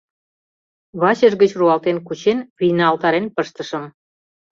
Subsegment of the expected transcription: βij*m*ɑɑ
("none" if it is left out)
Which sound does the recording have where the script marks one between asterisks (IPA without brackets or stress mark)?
n